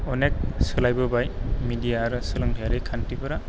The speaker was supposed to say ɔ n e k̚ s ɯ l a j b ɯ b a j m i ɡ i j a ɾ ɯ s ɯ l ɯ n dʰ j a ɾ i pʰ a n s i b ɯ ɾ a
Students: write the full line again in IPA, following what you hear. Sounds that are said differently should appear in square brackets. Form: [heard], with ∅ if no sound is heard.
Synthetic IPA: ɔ n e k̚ s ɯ l a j b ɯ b a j m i [d] i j a ɾ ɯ s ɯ l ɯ [ŋ] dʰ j a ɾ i [kʰ] a n [t] i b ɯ ɾ a